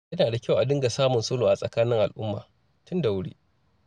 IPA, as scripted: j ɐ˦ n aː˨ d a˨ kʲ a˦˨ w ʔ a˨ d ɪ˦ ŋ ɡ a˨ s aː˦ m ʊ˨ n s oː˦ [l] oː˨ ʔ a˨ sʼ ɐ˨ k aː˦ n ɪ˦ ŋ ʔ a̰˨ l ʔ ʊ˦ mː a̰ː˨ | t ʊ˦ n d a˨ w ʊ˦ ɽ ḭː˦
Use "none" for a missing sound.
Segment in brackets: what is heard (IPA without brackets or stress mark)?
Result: l